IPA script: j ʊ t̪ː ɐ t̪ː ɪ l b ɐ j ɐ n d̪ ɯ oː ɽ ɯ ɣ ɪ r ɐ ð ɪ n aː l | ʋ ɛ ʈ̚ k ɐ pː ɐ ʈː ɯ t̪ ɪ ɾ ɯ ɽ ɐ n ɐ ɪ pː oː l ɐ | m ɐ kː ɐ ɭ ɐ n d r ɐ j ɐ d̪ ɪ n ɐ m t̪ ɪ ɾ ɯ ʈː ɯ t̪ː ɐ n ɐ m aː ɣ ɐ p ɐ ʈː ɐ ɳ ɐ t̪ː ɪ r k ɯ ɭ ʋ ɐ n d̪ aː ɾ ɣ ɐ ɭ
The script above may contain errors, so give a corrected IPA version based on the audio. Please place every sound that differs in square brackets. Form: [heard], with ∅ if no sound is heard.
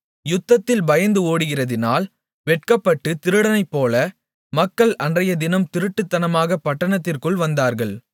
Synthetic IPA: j ʊ t̪ː ɐ t̪ː ɪ l b ɐ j ɐ n d̪ ɯ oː ɽ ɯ ɣ ɪ r ɐ ð ɪ n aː l | ʋ ɛ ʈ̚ k ɐ pː ɐ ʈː ɯ t̪ ɪ ɾ ɯ ɽ ɐ n ɐ ɪ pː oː l ɐ | m ɐ kː ɐ ɭ ɐ n d r ɐ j ɐ d̪ ɪ n ɐ m t̪ ɪ ɾ ɯ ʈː ɯ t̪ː ɐ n ɐ m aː ɣ ɐ p ɐ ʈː ɐ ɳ ɐ t̪ː ɪ r k ɯ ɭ ʋ ɐ n d̪ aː ɾ ɣ ɐ ɭ